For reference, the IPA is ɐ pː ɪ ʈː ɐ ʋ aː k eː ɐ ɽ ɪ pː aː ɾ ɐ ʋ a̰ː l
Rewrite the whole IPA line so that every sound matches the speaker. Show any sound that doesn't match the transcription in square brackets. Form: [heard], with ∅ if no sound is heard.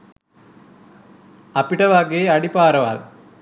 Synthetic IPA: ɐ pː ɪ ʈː ɐ ʋ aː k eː ɐ ɽ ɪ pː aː ɾ ɐ ʋ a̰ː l